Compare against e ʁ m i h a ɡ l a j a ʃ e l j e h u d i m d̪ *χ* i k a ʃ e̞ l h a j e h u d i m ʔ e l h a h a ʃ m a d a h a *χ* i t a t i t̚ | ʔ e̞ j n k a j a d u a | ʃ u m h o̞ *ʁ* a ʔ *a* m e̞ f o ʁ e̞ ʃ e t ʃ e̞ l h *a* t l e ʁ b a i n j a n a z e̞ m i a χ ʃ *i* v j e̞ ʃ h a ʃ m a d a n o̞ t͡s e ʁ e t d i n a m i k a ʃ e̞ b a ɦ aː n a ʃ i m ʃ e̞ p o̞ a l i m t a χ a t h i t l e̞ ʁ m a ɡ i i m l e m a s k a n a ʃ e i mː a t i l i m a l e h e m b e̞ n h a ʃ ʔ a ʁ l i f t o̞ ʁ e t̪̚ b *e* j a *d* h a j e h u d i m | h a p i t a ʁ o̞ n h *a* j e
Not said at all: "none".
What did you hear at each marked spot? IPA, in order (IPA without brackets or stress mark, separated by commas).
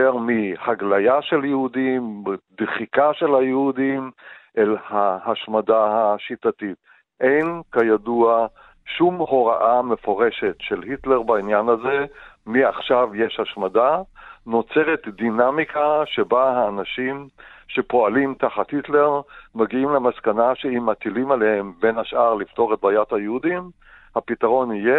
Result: χ, ʃ, ʁ, a, i, a, a, t, i